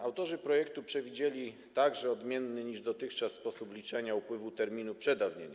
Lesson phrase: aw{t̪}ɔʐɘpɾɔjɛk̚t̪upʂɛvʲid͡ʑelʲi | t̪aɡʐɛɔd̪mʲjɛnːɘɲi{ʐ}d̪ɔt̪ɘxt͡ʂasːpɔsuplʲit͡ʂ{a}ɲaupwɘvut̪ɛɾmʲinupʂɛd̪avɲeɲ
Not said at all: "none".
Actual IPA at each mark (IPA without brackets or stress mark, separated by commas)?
t̪, ʐ, ɛ